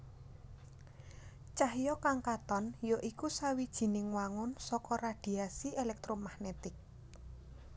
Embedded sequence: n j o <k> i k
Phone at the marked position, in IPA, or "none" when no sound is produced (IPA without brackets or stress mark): ʔ